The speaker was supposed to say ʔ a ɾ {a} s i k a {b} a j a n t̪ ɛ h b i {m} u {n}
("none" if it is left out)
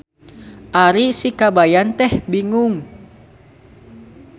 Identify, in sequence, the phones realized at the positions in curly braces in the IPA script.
i, b, ŋ, ŋ

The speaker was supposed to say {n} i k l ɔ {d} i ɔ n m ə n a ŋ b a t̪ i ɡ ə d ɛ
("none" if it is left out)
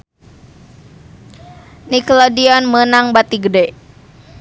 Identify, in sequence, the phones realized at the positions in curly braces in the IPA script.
n, d

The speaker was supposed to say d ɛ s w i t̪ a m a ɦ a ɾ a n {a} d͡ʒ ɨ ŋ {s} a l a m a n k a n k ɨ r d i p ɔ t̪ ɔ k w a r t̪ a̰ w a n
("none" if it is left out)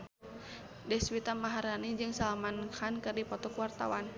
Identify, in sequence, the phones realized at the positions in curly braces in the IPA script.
i, s

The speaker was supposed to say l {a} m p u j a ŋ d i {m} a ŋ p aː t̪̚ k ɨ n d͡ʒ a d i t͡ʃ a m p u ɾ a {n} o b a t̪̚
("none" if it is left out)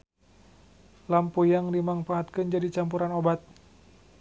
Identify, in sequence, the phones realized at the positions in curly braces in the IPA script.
a, m, n

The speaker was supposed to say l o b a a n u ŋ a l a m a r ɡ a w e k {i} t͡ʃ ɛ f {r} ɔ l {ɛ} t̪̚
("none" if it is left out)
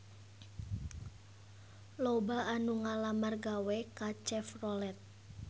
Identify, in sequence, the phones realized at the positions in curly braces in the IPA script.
a, r, ɛ

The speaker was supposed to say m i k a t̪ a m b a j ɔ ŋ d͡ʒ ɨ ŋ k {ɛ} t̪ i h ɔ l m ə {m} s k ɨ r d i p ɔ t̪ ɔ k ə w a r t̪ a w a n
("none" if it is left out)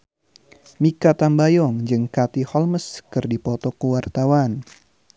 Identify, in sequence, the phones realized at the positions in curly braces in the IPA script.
a, none

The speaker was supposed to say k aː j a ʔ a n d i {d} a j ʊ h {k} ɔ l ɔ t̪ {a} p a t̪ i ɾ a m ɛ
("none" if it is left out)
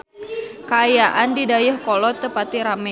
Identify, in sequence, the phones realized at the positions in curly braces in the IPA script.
d, k, ə

